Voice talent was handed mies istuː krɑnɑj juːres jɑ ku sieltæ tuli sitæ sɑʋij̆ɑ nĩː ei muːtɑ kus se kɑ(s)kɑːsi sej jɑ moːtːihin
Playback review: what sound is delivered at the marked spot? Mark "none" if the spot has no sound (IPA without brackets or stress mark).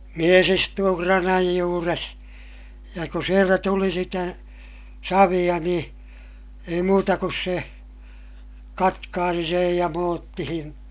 t